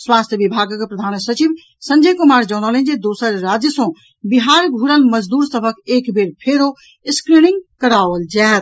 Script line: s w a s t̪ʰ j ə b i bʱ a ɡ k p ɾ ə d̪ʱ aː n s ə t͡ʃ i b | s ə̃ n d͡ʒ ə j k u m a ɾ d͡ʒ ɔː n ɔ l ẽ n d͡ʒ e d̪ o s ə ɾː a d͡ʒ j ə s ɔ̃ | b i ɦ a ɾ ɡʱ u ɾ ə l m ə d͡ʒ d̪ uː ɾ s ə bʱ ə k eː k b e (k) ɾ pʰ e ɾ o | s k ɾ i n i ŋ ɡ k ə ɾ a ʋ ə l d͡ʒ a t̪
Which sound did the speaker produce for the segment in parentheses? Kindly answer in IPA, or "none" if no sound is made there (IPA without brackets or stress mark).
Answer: none